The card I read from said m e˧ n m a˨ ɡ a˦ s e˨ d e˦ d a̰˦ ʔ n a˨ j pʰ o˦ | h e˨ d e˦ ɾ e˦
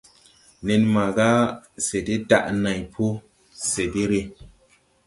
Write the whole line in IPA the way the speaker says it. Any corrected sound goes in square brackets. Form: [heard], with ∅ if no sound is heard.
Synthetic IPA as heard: [n] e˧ n m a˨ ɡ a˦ s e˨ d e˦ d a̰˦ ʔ n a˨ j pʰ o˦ | [s] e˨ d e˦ ɾ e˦